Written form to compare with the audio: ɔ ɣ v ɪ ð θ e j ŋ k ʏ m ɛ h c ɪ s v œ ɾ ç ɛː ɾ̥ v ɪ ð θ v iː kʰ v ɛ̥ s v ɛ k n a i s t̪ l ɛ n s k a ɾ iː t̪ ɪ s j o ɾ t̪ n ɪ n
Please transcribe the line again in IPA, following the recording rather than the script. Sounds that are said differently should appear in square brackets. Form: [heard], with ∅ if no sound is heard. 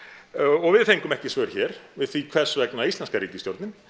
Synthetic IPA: ɔ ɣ v ɪ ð θ e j ŋ k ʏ m ɛ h c ɪ s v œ ɾ ç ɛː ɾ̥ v ɪ ð θ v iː kʰ v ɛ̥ s v ɛ k n a i s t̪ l ɛ n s k a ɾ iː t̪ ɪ s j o ɾ t̪ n ɪ n